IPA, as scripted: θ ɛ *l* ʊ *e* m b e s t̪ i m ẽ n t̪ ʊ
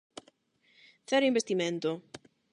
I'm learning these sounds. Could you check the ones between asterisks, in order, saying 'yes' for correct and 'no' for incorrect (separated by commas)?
no, no